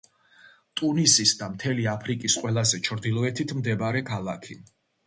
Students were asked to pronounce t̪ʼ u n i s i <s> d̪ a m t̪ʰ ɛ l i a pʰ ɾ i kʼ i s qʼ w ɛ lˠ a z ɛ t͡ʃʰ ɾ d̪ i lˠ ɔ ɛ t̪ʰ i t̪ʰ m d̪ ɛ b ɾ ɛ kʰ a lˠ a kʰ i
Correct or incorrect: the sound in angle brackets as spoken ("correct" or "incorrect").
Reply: correct